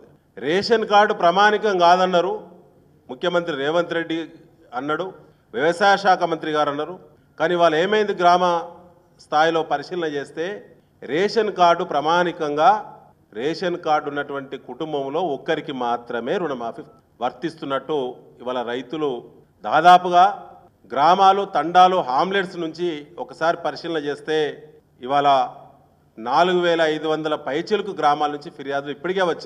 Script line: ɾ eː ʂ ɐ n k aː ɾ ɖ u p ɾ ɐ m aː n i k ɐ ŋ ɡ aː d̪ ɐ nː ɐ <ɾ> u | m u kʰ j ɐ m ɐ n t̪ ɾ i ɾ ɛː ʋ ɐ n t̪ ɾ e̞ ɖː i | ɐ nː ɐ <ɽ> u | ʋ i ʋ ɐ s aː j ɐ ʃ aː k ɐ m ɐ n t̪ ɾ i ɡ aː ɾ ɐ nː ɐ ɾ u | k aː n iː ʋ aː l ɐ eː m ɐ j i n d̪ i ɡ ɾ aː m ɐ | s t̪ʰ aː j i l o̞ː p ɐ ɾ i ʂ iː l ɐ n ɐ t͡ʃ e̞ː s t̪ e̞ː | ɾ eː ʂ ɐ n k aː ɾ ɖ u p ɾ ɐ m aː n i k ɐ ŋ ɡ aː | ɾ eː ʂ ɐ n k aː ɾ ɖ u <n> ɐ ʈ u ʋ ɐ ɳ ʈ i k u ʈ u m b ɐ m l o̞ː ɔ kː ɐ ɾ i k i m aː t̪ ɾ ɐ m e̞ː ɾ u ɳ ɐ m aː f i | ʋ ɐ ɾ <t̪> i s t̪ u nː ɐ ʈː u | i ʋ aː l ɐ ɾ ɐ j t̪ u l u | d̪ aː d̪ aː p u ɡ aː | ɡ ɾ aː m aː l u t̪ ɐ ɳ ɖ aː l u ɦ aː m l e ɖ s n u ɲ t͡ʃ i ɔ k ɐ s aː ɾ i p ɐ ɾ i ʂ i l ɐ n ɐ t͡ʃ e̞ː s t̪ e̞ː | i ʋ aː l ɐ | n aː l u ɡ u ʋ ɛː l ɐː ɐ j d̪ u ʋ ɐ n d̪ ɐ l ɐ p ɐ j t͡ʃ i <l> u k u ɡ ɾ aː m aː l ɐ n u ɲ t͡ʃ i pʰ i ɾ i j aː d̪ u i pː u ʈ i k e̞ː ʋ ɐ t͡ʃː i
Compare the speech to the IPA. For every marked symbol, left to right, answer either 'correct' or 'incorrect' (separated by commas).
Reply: correct, correct, incorrect, correct, correct